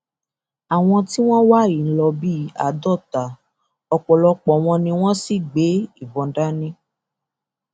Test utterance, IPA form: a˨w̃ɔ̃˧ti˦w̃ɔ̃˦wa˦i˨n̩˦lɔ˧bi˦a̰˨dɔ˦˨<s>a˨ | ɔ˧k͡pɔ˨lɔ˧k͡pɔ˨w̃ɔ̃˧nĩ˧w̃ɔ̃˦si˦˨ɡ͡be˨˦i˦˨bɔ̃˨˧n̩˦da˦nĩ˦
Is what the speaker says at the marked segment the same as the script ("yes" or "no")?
no